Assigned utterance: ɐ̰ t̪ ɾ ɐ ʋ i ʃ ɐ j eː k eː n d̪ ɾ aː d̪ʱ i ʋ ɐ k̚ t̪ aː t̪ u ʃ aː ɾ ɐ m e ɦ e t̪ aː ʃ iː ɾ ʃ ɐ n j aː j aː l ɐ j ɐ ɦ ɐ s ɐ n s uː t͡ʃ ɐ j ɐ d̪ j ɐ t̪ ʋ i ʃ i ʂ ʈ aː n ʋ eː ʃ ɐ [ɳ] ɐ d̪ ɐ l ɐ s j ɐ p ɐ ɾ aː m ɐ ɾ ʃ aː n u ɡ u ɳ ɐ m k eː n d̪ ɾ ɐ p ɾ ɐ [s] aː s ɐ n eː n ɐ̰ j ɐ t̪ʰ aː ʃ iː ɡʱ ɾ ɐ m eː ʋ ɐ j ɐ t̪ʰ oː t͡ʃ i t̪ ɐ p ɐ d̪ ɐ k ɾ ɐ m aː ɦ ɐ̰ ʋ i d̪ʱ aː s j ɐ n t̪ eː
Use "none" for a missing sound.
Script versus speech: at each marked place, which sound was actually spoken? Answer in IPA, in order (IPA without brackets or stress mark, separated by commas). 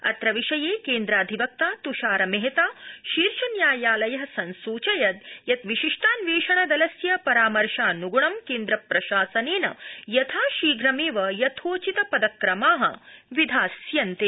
ɳ, ʃ